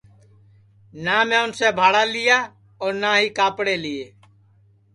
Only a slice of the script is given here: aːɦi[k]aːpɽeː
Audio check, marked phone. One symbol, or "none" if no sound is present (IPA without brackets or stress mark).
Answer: k